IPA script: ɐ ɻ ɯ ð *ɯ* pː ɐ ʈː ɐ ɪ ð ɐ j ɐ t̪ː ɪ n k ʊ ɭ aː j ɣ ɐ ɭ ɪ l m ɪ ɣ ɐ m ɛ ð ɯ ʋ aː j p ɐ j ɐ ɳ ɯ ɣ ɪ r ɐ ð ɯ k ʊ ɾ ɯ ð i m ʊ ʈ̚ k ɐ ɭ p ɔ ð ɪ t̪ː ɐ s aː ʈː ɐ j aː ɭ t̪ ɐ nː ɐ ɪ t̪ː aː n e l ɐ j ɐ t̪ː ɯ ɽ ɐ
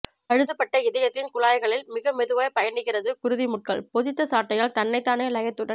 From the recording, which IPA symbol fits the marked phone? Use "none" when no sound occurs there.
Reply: ɯ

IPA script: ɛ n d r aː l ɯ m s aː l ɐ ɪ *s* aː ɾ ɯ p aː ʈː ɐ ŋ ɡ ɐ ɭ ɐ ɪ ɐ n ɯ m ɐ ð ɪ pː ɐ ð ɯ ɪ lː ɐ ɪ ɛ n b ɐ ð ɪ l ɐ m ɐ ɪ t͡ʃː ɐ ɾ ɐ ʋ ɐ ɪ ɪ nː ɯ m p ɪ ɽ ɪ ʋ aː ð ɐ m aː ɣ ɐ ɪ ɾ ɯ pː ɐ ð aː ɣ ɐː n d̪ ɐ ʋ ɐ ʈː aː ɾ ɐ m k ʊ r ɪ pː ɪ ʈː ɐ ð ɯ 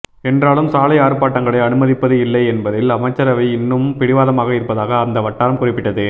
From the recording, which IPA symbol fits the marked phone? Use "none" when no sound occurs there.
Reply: none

